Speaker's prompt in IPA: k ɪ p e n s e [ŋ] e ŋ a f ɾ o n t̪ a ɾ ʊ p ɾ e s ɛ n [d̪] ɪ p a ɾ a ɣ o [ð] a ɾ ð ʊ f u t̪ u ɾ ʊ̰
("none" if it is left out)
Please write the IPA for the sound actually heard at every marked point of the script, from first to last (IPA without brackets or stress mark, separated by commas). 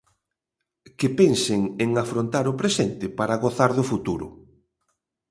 ŋ, t̪, θ